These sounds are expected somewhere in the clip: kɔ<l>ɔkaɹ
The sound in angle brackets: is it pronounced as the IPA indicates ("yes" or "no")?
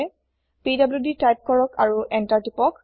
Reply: no